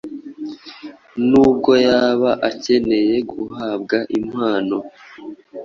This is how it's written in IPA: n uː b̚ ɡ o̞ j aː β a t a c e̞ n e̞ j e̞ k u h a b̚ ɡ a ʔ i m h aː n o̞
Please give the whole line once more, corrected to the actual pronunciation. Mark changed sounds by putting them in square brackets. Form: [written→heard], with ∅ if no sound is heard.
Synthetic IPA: n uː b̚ ɡ o̞ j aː β a [t→ʔ] a c e̞ n e̞ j e̞ [k→ɡ] u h a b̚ ɡ a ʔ i m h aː n o̞